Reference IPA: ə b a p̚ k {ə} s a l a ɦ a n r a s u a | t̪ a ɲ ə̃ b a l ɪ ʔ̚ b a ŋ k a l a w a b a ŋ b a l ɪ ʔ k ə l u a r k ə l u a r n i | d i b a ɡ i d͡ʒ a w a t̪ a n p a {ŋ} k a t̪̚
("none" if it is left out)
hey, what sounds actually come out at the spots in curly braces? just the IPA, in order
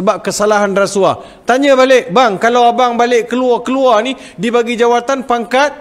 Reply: ə, ŋ

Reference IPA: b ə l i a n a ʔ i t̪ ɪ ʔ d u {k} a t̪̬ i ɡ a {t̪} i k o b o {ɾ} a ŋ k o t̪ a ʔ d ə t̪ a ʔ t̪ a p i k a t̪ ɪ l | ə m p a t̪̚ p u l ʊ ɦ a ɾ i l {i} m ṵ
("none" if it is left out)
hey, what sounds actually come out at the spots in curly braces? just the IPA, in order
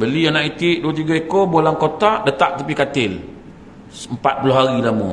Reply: none, none, l, a

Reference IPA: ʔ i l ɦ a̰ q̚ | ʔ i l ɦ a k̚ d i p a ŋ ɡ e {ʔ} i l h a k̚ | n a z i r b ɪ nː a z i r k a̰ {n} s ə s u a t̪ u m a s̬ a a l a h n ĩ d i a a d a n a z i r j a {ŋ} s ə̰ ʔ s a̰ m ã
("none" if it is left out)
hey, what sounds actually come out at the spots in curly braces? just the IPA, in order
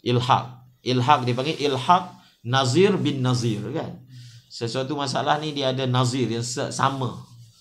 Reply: ʔ, n, ŋ

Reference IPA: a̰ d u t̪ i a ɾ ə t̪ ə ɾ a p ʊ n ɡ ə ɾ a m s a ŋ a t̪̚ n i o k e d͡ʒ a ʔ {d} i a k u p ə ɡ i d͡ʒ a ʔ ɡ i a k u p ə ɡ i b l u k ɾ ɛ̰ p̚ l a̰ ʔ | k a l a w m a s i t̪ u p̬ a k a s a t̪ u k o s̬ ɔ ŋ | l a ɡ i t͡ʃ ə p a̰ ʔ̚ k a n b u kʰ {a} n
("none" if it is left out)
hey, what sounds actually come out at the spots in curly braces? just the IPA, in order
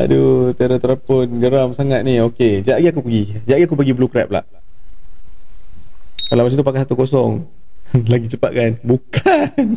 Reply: ɡ, a

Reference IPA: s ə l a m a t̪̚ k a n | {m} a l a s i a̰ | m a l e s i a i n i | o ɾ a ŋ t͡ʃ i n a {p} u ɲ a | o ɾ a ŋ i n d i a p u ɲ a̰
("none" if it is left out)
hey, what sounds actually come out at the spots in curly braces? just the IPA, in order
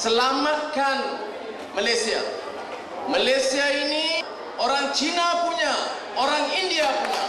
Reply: m, p

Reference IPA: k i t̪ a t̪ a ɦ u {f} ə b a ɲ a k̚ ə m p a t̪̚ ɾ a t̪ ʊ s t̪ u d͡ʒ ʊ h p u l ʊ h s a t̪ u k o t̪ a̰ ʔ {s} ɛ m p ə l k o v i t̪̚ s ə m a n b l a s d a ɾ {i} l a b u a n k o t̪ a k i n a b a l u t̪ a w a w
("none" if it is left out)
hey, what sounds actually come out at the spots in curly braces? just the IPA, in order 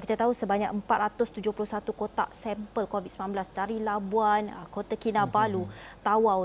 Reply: s, s, i

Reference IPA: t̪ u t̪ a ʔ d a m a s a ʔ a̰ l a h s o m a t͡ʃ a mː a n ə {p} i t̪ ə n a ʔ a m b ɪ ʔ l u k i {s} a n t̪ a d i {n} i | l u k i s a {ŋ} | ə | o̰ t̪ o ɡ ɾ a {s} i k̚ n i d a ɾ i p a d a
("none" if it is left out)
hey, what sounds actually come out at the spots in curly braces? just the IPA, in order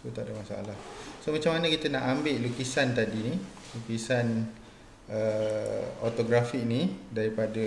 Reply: k, s, n, n, f

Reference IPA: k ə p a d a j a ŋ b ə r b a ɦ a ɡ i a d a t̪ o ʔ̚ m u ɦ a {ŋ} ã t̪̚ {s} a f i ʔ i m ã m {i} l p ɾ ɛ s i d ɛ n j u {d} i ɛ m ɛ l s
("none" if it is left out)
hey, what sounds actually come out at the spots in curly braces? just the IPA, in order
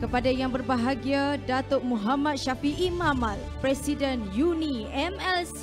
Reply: m, ʃ, a, n

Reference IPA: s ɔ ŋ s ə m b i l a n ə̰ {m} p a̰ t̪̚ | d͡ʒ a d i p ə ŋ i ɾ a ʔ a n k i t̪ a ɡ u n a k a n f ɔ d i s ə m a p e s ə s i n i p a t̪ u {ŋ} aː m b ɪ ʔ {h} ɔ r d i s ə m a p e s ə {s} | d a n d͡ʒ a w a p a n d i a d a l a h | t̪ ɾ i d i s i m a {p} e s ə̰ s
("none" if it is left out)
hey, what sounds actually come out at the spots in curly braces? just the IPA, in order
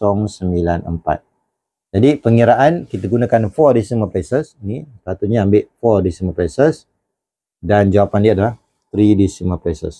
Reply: m, ɲ, f, s, p

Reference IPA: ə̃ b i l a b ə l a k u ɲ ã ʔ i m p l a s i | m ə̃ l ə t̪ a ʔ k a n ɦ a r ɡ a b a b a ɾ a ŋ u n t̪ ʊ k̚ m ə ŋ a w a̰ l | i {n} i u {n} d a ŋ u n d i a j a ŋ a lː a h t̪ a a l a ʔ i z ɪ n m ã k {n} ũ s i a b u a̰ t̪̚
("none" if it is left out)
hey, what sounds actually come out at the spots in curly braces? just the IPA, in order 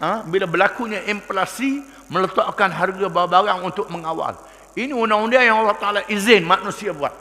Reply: n, n, n

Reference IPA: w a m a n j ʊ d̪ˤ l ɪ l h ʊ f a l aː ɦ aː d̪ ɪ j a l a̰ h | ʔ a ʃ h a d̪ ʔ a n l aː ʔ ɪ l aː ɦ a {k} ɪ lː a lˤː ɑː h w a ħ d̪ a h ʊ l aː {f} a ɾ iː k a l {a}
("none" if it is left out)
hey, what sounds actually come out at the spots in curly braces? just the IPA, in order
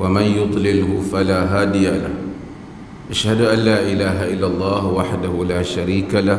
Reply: ʔ, ʃ, a

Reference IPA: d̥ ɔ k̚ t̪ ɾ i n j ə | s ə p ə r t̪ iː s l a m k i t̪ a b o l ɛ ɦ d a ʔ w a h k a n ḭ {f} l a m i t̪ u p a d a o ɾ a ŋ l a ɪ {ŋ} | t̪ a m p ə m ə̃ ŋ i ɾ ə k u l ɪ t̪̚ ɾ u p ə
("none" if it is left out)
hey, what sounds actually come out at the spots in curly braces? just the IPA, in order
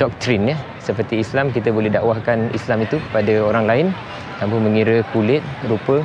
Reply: s, n

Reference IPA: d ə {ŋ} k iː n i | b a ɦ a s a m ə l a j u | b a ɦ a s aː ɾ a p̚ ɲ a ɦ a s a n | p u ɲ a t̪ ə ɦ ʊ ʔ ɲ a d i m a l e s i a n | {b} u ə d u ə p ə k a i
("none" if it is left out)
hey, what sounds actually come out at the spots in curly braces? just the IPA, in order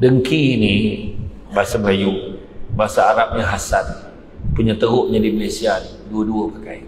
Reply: ŋ, d

